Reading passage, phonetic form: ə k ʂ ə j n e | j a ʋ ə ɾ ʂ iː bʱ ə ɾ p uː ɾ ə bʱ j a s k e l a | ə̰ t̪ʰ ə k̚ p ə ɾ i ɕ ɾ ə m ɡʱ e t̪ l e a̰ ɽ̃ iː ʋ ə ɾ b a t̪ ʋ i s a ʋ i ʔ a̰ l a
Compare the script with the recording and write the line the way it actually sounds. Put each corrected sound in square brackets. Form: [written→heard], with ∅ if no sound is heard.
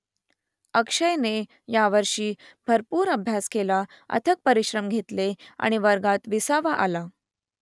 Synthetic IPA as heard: ə k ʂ ə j n e | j a ʋ ə ɾ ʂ iː bʱ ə ɾ p uː ɾ ə bʱ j a s k e l a | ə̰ t̪ʰ ə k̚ p ə ɾ i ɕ ɾ ə m ɡʱ e t̪ l e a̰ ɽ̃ [iː→i] ʋ ə ɾ [b→ɡ] a t̪ ʋ i s a ʋ [i→a] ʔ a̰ l a